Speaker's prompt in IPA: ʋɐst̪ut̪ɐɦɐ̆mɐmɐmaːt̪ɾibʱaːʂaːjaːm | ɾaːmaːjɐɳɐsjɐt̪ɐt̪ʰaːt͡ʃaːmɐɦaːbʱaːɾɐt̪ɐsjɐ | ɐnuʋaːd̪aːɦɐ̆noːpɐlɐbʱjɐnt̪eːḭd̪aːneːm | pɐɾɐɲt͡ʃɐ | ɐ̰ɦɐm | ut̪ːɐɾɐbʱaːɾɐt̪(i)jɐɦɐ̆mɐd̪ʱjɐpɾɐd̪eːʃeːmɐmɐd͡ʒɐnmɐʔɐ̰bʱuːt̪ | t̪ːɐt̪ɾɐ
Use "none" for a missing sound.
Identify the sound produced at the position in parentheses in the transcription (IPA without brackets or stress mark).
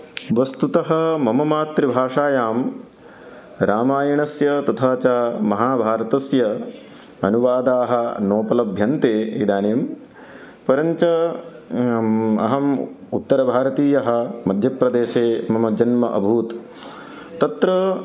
iː